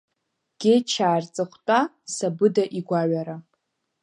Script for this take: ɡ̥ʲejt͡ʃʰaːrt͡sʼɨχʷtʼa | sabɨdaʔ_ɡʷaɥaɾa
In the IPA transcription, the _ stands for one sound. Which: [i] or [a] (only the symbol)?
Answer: i